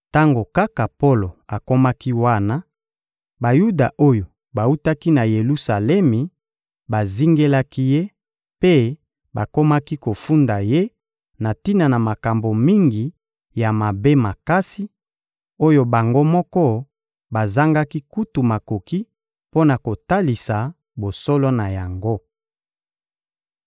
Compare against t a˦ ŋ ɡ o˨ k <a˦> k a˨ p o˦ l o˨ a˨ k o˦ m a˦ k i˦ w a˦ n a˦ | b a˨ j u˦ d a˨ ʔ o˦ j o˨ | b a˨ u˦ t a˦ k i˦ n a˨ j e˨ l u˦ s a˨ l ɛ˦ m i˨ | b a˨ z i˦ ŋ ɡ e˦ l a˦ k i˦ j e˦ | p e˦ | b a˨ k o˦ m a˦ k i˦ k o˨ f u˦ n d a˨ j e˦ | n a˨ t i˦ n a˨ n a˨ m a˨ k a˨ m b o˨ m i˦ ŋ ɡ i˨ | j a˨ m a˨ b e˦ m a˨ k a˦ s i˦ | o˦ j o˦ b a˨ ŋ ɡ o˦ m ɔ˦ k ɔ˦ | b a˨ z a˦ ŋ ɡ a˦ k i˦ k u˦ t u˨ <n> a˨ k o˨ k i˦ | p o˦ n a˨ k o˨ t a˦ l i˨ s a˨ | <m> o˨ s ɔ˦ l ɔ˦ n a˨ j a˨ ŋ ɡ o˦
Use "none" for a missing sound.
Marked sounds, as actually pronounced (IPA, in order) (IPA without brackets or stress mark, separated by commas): a˦, m, b